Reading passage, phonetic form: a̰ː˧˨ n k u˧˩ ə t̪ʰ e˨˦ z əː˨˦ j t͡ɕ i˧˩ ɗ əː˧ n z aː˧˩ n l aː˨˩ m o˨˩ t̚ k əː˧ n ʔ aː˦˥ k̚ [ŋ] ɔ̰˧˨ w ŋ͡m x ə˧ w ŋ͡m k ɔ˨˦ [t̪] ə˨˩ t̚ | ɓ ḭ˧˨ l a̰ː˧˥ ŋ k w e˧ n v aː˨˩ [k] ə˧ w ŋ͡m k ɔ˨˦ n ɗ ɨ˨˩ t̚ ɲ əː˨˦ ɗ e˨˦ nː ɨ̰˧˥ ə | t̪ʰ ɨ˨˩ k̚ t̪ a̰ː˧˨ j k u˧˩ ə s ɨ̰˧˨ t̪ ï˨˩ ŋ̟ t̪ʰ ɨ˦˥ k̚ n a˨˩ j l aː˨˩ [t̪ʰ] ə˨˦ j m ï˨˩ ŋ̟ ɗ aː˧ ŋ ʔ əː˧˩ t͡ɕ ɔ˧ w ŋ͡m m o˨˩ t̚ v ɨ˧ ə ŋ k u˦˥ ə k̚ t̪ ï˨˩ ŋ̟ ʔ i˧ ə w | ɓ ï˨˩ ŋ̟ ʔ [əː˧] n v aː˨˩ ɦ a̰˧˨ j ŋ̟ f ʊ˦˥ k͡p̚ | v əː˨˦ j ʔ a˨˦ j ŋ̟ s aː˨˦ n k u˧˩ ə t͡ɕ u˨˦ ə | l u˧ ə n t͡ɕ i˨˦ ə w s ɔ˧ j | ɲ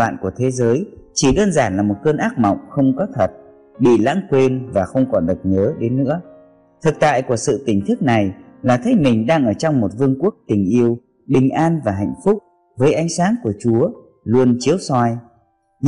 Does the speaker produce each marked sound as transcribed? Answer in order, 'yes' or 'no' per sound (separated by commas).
no, no, no, yes, no